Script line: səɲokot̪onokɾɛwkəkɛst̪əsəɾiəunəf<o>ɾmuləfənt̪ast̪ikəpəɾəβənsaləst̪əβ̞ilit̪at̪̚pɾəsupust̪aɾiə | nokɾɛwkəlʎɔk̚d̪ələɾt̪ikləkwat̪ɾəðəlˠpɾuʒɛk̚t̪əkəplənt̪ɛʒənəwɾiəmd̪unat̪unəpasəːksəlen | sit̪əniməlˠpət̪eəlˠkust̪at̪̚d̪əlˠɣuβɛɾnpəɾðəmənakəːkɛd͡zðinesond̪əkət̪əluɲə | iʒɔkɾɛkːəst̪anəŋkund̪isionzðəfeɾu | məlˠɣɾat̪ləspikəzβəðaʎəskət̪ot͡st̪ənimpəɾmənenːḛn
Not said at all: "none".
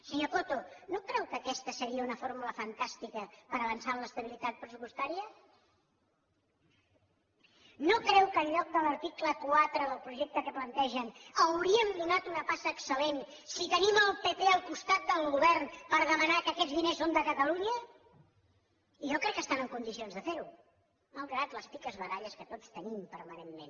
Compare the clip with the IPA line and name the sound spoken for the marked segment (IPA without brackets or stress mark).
o